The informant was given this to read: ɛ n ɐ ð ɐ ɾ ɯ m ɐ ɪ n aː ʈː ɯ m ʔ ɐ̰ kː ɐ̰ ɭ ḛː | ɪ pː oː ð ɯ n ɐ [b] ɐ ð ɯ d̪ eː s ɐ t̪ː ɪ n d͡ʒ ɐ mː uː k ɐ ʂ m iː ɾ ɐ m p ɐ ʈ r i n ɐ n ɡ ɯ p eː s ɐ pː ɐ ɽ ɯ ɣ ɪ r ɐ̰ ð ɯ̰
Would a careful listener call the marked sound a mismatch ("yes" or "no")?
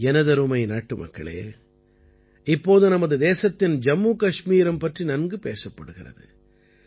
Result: yes